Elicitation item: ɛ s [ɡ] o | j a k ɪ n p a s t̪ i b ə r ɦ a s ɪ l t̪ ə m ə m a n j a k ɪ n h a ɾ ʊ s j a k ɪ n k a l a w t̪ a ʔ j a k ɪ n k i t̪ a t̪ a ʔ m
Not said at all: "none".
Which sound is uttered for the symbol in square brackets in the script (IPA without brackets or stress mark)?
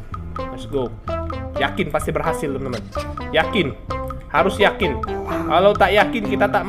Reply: ɡ